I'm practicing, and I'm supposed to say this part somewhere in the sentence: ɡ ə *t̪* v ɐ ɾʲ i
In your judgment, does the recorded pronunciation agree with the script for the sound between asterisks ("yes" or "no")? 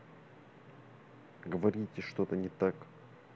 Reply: no